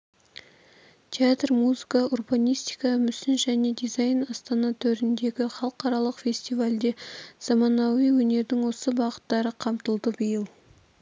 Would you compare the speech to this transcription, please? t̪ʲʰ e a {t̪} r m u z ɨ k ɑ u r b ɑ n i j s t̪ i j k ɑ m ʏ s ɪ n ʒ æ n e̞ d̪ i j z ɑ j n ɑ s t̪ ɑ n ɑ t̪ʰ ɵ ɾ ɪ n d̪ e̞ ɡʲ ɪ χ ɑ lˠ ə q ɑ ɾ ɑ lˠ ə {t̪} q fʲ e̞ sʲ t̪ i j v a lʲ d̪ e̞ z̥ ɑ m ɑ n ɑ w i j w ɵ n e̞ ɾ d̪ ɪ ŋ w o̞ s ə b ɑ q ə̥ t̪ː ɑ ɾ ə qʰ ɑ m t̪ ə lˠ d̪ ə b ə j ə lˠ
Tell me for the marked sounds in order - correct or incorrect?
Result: correct, incorrect: none

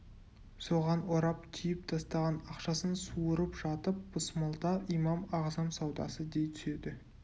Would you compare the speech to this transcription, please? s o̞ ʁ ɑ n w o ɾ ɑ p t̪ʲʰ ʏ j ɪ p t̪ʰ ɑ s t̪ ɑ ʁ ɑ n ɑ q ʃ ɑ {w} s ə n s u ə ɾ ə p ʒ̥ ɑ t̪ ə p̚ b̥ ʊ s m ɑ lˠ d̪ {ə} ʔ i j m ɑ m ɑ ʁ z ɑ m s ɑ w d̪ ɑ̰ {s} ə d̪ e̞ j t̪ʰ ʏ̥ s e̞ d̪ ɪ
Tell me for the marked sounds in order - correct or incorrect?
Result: incorrect: none, incorrect: ɑ, correct

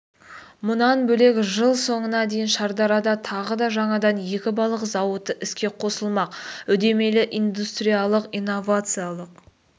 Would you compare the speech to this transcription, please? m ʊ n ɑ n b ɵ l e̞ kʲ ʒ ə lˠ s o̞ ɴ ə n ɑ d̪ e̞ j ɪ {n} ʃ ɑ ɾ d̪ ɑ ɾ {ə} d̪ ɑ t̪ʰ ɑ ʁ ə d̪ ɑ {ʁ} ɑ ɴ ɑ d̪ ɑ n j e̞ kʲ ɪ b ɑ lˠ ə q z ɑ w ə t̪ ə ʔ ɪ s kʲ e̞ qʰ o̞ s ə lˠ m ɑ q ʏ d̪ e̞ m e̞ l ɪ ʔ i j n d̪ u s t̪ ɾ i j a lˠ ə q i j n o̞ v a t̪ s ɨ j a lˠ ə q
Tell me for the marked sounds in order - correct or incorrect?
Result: correct, incorrect: ɑ, incorrect: ʒ

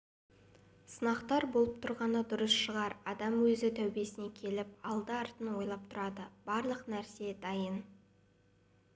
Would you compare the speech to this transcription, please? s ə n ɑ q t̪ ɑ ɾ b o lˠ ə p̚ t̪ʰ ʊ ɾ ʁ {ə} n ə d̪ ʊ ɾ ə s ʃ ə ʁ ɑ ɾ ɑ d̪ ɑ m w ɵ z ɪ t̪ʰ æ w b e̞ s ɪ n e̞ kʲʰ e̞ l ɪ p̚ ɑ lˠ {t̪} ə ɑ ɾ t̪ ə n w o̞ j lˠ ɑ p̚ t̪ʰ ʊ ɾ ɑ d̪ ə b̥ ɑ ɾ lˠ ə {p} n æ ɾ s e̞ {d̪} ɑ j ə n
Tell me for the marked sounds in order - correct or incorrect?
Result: incorrect: ɑ, incorrect: d̪, incorrect: q, correct

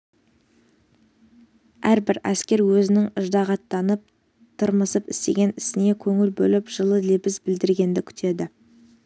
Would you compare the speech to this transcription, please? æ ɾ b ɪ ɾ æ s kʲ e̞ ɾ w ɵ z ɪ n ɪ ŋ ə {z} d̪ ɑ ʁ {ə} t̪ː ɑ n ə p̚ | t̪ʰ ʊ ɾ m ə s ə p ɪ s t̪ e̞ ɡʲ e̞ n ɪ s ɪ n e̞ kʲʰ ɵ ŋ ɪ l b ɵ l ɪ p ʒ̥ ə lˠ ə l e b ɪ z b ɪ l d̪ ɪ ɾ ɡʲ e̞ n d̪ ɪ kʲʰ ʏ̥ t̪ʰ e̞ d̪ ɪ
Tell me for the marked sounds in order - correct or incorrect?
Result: incorrect: ʒ, incorrect: ɑ

